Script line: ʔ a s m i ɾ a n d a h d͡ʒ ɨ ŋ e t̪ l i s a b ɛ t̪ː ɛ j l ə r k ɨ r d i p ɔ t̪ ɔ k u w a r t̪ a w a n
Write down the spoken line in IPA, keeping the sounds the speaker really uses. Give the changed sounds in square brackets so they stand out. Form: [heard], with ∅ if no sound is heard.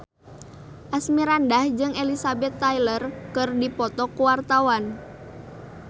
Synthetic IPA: ʔ a s m i ɾ a n d a h d͡ʒ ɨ ŋ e [∅] l i s a b ɛ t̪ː [a] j l ə r k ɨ r d i p ɔ t̪ ɔ k u w a r t̪ a w a n